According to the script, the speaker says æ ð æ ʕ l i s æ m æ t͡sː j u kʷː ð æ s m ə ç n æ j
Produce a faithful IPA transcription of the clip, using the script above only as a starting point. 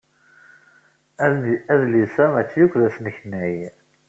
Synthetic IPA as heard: æ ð æ ð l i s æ m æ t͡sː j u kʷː ð æ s n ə ç n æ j